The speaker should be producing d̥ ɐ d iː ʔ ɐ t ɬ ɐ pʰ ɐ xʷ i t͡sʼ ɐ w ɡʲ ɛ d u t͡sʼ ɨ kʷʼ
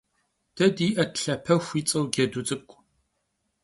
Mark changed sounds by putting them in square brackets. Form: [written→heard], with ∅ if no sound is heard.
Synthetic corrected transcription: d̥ ɐ d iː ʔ ɐ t ɬ ɐ pʰ ɐ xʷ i t͡sʼ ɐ w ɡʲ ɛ d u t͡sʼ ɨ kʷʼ